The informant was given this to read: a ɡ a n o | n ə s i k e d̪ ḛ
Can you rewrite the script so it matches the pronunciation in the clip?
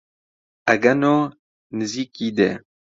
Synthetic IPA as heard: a ɡ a n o | n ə z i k i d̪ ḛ